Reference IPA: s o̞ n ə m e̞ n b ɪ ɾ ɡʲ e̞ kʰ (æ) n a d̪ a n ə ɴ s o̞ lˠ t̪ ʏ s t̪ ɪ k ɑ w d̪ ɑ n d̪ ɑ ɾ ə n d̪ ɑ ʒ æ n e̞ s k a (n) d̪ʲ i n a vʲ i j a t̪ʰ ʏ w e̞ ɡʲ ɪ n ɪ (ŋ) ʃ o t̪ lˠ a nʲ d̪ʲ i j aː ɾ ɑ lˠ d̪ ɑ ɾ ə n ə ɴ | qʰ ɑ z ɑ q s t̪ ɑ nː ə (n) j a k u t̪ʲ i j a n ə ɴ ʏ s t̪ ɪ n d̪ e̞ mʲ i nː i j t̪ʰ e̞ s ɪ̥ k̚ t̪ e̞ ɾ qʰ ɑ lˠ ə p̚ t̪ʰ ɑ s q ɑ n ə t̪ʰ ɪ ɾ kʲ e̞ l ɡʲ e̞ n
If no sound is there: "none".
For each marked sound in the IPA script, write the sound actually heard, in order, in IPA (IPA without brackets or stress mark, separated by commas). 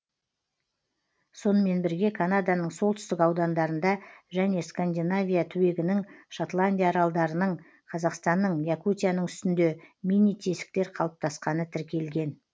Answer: a, n, ŋ, ɴ